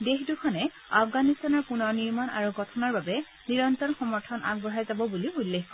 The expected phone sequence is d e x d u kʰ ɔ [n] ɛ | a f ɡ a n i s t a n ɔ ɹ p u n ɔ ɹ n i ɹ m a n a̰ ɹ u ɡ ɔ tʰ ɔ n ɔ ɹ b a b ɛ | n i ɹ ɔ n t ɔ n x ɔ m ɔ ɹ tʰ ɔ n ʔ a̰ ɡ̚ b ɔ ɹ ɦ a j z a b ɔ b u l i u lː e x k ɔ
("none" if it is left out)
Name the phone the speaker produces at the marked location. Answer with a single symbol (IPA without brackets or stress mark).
n